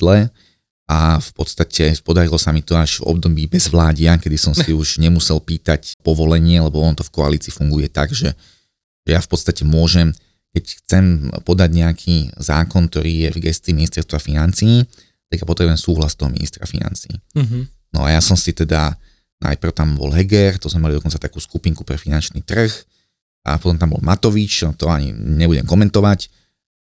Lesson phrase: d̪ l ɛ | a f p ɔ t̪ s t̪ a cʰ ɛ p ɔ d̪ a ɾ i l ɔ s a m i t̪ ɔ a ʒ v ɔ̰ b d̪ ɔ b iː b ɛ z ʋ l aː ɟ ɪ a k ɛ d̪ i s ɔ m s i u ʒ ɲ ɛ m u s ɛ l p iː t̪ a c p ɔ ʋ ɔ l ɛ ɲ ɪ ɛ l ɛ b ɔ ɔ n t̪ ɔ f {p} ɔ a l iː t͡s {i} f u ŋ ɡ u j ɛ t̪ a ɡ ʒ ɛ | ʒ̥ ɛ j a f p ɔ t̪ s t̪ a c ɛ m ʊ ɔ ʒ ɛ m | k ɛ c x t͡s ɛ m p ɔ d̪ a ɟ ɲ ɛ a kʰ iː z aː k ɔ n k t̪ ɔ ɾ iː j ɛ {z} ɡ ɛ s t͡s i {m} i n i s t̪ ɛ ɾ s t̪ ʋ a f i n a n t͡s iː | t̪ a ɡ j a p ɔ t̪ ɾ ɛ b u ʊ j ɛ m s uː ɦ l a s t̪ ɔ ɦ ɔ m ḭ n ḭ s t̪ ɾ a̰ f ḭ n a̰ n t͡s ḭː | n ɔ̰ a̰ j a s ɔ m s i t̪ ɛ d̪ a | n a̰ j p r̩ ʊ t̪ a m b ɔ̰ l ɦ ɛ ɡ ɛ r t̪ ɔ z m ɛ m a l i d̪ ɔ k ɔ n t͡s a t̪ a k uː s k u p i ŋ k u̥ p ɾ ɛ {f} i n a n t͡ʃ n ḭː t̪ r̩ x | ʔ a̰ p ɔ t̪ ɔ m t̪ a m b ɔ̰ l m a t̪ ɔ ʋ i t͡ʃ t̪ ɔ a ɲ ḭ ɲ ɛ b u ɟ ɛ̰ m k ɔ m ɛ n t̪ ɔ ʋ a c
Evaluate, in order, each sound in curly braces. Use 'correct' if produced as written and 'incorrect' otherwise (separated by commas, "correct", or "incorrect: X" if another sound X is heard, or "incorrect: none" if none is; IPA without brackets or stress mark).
incorrect: k, incorrect: iː, incorrect: v, correct, correct